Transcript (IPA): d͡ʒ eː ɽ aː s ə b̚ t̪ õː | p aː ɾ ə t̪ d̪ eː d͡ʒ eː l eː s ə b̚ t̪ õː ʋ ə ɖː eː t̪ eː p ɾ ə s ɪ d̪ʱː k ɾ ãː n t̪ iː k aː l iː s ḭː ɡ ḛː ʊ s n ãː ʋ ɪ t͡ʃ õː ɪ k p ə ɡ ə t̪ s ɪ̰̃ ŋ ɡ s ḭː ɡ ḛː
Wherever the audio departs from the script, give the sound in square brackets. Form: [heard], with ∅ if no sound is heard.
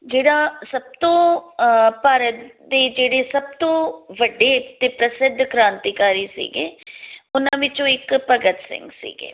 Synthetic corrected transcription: d͡ʒ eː ɽ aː s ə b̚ t̪ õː | p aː ɾ ə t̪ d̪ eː d͡ʒ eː [ɽ] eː s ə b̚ t̪ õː ʋ ə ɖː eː t̪ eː p ɾ ə s ɪ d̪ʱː k ɾ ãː n t̪ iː k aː [ɾ] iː s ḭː ɡ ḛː ʊ [∅] n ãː ʋ ɪ t͡ʃ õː ɪ k p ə ɡ ə t̪ s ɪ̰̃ ŋ ɡ s ḭː ɡ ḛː